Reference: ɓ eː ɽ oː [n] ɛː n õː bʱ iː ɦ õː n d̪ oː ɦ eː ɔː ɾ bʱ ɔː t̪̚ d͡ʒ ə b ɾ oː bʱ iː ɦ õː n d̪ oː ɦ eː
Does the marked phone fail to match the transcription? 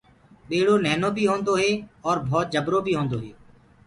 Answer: no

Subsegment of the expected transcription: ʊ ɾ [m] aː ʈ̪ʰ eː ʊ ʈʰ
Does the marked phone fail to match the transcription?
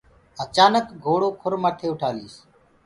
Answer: no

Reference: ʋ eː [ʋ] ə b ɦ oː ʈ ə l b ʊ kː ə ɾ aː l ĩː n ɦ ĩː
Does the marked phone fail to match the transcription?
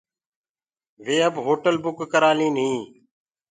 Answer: yes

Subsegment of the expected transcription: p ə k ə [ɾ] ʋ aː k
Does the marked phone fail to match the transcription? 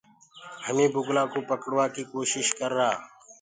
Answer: yes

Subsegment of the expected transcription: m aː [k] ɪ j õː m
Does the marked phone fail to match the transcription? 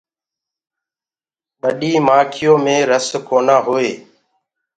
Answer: yes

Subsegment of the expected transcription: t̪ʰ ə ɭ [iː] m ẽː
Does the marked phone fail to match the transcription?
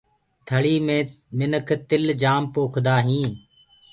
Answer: no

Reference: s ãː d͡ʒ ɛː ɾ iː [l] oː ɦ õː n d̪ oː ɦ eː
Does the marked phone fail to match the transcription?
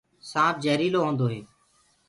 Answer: no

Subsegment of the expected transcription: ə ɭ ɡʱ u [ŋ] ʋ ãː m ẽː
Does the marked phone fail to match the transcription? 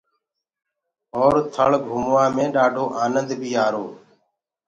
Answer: yes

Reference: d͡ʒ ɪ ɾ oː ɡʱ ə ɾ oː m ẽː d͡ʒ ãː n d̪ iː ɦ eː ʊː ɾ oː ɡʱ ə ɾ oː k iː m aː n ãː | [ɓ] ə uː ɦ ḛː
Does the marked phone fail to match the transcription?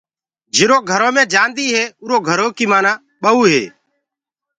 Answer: no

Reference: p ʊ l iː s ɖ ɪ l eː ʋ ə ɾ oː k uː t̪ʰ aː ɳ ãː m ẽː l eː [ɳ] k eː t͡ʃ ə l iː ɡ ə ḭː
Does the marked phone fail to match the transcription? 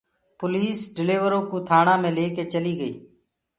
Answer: yes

